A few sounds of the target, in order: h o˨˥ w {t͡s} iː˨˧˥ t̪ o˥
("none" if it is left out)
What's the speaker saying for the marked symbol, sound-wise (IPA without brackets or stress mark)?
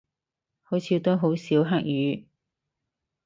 t͡sʰ